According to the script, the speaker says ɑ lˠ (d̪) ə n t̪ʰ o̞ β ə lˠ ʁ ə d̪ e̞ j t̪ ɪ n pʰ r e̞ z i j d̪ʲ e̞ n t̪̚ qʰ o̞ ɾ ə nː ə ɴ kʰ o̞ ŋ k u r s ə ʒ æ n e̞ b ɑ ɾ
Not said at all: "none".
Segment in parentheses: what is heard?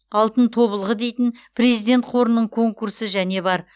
t̪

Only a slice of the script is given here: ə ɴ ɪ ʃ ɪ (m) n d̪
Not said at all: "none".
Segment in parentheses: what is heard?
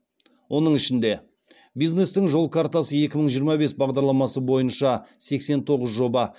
none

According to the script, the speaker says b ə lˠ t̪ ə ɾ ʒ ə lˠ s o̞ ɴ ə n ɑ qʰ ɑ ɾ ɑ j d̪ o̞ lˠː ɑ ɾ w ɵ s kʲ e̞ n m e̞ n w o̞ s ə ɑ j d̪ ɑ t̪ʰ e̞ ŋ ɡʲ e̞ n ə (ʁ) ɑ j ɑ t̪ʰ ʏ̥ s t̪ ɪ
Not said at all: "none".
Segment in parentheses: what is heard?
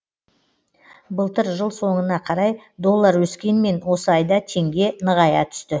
ʁ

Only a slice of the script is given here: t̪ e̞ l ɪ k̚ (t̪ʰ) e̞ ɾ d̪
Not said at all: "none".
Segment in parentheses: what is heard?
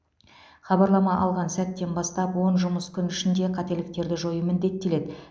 t̪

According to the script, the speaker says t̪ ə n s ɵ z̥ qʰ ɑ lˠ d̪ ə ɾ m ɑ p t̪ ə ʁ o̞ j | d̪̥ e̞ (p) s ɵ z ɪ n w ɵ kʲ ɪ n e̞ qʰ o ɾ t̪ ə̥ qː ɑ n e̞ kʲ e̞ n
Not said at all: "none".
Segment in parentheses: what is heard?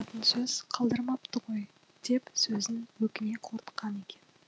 p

